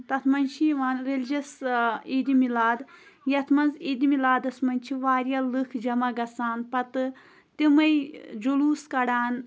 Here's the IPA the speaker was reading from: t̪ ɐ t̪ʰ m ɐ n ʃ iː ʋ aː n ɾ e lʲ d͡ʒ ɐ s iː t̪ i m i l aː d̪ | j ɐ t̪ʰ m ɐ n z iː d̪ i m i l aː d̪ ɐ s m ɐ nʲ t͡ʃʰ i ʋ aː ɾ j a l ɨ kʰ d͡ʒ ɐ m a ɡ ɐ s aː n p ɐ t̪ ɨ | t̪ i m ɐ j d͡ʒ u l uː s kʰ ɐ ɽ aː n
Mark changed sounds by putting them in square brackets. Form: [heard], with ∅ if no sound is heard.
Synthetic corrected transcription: t̪ ɐ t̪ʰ m ɐ n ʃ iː ʋ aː n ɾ e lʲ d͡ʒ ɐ s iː [d̪] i m i l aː d̪ | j ɐ t̪ʰ m ɐ n z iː d̪ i m i l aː d̪ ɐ s m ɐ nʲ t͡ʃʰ i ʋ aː ɾ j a l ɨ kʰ d͡ʒ ɐ m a ɡ ɐ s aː n p ɐ t̪ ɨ | t̪ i m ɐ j d͡ʒ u l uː s [k] ɐ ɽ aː n